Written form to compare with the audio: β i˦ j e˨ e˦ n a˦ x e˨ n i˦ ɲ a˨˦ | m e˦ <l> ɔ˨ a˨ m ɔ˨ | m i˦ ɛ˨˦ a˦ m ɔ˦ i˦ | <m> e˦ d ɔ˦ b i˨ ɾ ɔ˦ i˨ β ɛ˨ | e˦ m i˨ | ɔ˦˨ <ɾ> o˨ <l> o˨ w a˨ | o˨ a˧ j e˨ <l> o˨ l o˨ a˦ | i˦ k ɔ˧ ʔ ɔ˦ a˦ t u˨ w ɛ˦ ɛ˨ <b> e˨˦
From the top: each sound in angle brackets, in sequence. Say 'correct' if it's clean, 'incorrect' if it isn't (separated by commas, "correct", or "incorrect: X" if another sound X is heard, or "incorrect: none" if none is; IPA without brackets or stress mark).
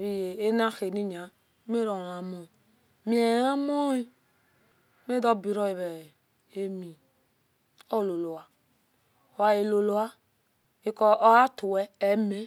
incorrect: ɾ, correct, incorrect: l, correct, correct, incorrect: m